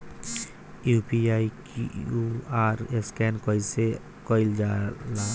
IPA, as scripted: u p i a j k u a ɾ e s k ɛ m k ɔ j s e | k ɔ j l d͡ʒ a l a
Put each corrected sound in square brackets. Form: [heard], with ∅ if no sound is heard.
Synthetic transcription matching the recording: u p i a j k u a ɾ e s k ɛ [n] k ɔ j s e | k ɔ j l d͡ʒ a l a